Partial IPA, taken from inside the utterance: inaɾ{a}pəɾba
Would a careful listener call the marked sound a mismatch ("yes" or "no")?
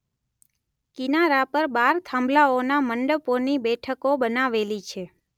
no